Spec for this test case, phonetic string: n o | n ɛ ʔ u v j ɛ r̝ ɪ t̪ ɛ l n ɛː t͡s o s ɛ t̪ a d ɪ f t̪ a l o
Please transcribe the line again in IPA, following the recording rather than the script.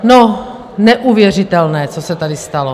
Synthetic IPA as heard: n o | n ɛ ʔ u v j ɛ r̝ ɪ t̪ ɛ l n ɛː t͡s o s ɛ t̪ a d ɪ s t̪ a l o

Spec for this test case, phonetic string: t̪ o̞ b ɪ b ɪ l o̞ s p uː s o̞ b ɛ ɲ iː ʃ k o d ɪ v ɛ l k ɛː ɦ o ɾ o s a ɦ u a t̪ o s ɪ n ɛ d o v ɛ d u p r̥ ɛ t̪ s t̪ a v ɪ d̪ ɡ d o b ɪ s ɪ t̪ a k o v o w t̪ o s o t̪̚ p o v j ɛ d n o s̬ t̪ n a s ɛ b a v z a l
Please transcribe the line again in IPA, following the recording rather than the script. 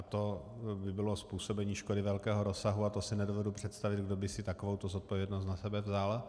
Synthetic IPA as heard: t̪ o̞ b ɪ b ɪ l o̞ s p uː s o̞ b ɛ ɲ iː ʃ k o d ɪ v ɛ l k ɛː ɦ o ɾ o s a ɦ u a t̪ o s ɪ n ɛ d o v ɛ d u p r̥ ɛ t̪ s t̪ a v ɪ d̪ ɡ d o b ɪ s ɪ t̪ a k o v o w t̪ o z o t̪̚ p o v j ɛ d n o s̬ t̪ n a s ɛ b ɛ v z a l

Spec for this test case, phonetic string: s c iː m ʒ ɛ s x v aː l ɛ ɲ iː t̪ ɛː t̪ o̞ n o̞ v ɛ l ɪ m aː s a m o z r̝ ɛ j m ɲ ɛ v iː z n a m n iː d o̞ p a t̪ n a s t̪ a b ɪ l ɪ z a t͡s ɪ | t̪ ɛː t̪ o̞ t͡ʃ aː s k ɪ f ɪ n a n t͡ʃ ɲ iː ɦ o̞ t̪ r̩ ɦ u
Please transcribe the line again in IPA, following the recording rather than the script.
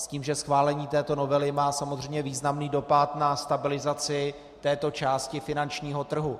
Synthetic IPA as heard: s c iː m ʒ ɛ s x v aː l ɛ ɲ iː t̪ ɛː t̪ o̞ n o̞ v ɛ l ɪ m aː s a m o z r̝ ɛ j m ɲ ɛ v iː z n a m n iː d o̞ p a t̪ n a s t̪ a b ɪ l ɪ z a t͡s ɪ | t̪ ɛː t̪ o̞ t͡ʃ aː s c ɪ f ɪ n a n t͡ʃ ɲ iː ɦ o̞ t̪ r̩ ɦ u

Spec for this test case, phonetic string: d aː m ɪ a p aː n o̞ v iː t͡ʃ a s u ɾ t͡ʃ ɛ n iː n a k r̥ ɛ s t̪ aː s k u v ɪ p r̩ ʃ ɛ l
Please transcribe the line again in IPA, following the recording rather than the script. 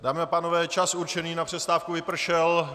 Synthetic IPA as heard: d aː m ɪ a p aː n o̞ v ɛː t͡ʃ a s u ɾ t͡ʃ ɛ n iː n a p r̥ ɛ s t̪ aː f k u v ɪ p r̩ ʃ ɛ l

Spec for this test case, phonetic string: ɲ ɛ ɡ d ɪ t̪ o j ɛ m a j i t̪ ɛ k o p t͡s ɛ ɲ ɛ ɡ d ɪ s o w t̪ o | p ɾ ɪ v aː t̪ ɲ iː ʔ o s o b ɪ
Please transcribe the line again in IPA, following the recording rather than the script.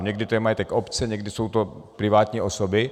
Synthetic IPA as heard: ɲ ɛ ɡ d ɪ t̪ o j ɛ m a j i t̪ ɛ k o p t͡s ɛ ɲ ɛ ɡ d ɪ s o w t̪ o | p ɾ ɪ v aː t̪ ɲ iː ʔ o s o b ɪ

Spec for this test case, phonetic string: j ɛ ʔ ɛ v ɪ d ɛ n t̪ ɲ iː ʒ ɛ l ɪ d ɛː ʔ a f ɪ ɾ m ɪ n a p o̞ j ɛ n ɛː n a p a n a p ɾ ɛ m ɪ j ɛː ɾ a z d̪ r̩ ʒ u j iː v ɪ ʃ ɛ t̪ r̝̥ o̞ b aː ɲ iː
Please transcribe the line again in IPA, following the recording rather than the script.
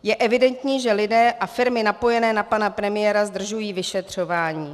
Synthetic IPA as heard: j ɛ ʔ ɛ v ɪ d ɛ n t̪ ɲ iː ʒ ɛ l ɪ d ɛː ʔ a f ɪ ɾ m ɪ n a p o̞ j ɛ n ɛː n a p a n a p ɾ ɛ m ɪ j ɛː ɾ a z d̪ r̩ ʒ u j iː v ɪ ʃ ɛ t̪ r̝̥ o̞ v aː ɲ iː

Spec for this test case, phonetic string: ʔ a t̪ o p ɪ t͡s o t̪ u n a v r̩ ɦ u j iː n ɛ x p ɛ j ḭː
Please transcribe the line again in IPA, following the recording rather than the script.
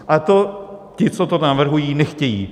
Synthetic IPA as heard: ʔ a t̪ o c ɪ t͡s o t̪ o n a v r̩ ɦ u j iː n ɛ x c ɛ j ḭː

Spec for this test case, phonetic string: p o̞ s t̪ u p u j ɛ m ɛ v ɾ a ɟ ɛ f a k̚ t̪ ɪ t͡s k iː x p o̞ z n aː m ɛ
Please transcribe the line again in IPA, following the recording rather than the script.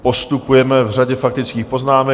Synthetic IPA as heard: p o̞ s t̪ u p u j ɛ m ɛ v r a ɟ ɛ f a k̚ t̪ ɪ t͡s k iː x p o̞ z n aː m ɛ

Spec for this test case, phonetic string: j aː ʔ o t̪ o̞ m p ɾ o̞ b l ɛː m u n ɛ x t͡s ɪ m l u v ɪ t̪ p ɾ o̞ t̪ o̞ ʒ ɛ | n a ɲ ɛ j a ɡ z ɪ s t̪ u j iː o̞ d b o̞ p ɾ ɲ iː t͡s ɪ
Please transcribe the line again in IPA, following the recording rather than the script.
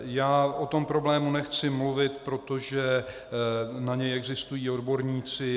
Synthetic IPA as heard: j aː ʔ o t̪ o̞ m p ɾ o̞ b l ɛː m u n ɛ x t͡s ɪ m l u v ɪ t̪ p ɾ o̞ t̪ o̞ ʒ ɛ | n a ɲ ɛ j ɛ ɡ z ɪ s t̪ u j iː o̞ d b o̞ ɾ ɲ iː t͡s ɪ

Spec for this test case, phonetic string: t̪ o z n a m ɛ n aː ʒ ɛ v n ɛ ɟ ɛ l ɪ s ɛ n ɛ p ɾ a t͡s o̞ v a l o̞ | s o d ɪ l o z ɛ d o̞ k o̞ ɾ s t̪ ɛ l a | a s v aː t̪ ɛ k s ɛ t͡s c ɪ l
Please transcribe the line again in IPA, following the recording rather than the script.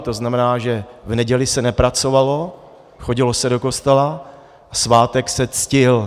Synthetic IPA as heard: t̪ o z n a m ɛ n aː ʒ ɛ v n ɛ ɟ ɛ l ɪ s ɛ n ɛ p ɾ a t͡s o̞ v a l o̞ | x o ɟ ɪ l o s ɛ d o̞ k o̞ s t̪ ɛ l a | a s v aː t̪ ɛ k s ɛ t͡s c ɪ l

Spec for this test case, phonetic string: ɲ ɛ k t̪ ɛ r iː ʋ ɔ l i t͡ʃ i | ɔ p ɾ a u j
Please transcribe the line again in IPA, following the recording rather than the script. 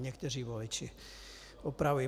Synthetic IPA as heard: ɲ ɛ k t̪ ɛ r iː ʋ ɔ l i t͡ʃ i | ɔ p ɾ a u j

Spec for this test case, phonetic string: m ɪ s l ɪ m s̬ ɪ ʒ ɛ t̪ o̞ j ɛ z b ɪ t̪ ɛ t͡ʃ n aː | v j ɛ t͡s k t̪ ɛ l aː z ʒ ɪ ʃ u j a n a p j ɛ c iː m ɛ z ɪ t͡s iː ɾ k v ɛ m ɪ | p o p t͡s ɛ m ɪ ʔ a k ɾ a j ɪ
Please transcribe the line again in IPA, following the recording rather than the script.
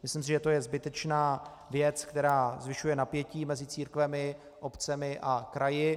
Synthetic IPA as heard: m ɪ s l ɪ m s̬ ɪ ʒ ɛ t̪ o̞ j ɛ z b ɪ t̪ ɛ t͡ʃ n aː | v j ɛ t͡s k t̪ ɛ ɾ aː z v ɪ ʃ u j ɛ n a p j ɛ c iː m ɛ z ɪ t͡s iː ɾ k v ɛ m ɪ | ʔ o p t͡s ɛ m ɪ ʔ a k ɾ a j ɪ

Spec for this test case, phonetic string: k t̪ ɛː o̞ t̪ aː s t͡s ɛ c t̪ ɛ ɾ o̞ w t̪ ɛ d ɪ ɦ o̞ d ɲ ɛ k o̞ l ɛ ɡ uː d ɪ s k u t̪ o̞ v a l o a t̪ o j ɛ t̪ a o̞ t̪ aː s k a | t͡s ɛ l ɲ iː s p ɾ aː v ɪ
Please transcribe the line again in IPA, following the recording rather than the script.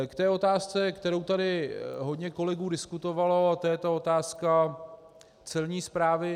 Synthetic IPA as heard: k t̪ ɛː o̞ t̪ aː s t͡s ɛ k t̪ ɛ ɾ o̞ w t̪ a d ɪ ɦ o̞ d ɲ ɛ k o̞ l ɛ ɡ uː d ɪ s k u t̪ o̞ v a l o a t̪ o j ɛ t̪ a o̞ t̪ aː s k a | t͡s ɛ l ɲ iː s p ɾ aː v ɪ

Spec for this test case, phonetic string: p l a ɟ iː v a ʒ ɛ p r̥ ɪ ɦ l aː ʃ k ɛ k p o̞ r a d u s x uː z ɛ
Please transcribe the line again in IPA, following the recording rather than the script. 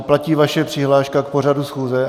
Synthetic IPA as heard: p l a c iː v a ʃ ɛ p r̥ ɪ ɦ l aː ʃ k a k p o̞ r a d u s x uː z ɛ

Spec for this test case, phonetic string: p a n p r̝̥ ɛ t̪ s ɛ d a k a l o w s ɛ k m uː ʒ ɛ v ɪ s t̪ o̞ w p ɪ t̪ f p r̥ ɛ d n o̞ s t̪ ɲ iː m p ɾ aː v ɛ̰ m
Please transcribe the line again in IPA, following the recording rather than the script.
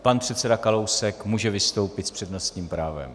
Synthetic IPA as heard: p a n p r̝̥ ɛ t̪ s ɛ d a k a l o w s ɛ k m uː ʒ ɛ v ɪ s t̪ o̞ w p ɪ t̪ s p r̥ ɛ d n o̞ s t̪ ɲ iː m p ɾ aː v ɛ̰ m

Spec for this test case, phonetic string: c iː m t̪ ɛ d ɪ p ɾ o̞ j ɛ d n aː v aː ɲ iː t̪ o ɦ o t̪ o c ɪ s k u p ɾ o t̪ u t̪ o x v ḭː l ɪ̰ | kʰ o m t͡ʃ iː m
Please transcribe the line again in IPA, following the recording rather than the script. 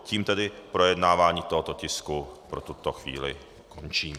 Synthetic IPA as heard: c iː m t̪ ɛ d ɪ p ɾ o̞ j ɛ d n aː v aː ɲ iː t̪ o ɦ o t̪ o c ɪ s k u p ɾ o t̪ u t̪ o x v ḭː l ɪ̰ | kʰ o n t͡ʃ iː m

